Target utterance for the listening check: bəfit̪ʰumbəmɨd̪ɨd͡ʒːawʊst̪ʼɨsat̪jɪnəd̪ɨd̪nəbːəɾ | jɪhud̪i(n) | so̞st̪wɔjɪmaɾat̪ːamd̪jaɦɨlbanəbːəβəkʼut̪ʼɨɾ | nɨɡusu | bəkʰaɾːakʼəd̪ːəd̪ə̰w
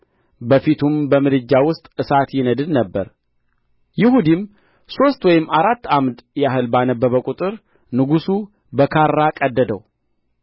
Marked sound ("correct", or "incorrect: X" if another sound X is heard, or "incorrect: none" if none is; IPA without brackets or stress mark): incorrect: m